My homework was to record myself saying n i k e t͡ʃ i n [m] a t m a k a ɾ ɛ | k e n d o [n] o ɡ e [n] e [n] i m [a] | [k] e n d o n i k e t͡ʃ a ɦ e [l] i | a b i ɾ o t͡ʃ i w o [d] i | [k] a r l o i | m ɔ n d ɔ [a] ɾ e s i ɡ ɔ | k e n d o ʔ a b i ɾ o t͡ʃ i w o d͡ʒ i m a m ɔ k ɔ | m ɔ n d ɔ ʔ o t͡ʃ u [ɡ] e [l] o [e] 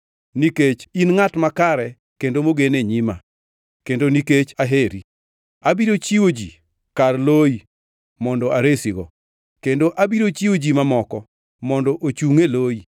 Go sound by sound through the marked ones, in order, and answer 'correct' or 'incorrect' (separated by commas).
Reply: incorrect, incorrect, correct, incorrect, correct, correct, incorrect, incorrect, correct, correct, incorrect, correct, incorrect